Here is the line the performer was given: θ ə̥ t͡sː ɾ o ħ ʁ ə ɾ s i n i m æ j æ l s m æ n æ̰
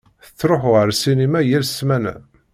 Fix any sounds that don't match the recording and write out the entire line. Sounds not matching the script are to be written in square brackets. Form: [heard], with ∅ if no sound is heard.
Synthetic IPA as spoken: θ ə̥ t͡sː ɾ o ħ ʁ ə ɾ s i n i m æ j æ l s m æ n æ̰